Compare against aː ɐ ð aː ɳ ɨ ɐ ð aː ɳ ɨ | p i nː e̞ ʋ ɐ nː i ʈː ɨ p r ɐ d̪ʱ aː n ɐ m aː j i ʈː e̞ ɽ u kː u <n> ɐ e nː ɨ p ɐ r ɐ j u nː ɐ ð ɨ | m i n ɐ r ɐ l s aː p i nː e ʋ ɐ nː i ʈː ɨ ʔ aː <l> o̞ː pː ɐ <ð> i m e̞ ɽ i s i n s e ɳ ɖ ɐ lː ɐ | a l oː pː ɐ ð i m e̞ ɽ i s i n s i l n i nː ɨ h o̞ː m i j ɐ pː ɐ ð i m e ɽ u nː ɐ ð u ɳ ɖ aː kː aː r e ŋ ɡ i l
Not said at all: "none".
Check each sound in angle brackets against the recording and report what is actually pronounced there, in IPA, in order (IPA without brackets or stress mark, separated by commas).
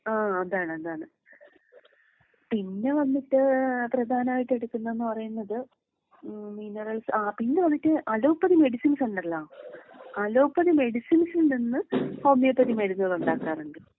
nː, l, ð